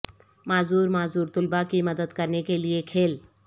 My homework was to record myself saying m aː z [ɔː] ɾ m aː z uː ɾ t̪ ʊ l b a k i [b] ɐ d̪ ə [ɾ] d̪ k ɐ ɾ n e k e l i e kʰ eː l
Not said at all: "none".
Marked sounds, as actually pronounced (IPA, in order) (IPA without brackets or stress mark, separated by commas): uː, m, none